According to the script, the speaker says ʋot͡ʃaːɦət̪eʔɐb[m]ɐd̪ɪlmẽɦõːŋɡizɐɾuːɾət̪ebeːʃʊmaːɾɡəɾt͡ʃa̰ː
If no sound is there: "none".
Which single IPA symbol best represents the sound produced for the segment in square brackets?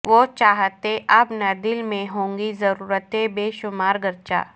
n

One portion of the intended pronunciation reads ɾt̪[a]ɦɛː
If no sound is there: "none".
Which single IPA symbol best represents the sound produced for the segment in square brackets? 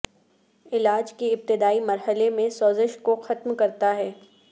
a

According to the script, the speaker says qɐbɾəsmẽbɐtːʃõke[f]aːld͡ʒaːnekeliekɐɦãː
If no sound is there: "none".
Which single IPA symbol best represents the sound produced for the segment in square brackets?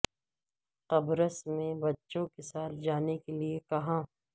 s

